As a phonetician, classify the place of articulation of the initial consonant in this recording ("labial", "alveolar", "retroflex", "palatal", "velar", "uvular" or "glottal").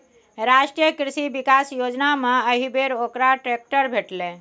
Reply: alveolar